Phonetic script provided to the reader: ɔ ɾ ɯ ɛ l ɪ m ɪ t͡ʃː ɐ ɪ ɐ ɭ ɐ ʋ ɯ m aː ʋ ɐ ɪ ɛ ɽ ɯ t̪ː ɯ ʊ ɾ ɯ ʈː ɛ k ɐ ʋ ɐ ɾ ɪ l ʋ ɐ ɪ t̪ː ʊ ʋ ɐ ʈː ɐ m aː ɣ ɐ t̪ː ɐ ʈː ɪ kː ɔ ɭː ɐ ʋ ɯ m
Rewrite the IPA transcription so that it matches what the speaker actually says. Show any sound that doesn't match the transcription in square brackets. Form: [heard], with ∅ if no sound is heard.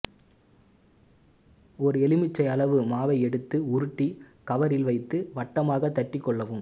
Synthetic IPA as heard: ɔ ɾ ɯ ɛ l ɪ m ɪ t͡ʃː ɐ ɪ ɐ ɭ ɐ ʋ ɯ m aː ʋ ɐ ɪ ɛ ɽ ɯ t̪ː ɯ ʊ ɾ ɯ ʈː [i] k ɐ ʋ ɐ ɾ ɪ l ʋ ɐ ɪ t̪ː [ɯ] ʋ ɐ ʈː ɐ m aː ɣ ɐ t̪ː ɐ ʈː ɪ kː ɔ ɭː ɐ ʋ ɯ m